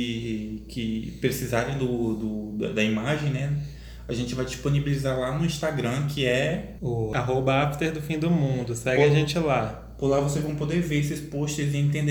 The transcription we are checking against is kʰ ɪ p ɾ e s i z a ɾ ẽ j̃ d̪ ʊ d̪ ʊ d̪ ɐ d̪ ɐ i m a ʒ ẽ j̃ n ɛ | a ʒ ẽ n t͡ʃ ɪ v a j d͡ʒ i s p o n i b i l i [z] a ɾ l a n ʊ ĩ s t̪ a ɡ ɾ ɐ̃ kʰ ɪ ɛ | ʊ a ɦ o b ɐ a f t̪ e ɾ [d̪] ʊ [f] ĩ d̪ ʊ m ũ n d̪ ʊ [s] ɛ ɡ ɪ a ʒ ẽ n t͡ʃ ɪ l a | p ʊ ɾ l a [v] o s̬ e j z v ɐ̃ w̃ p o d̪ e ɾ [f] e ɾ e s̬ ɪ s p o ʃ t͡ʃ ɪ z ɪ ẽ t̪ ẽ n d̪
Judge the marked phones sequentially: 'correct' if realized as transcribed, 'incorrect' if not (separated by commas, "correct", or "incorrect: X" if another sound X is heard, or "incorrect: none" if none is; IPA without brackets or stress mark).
correct, correct, correct, correct, correct, incorrect: v